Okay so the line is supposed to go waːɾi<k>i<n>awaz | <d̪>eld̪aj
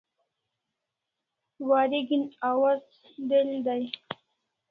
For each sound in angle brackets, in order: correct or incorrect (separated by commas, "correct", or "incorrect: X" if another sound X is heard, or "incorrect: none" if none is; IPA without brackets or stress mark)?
incorrect: ɡ, correct, correct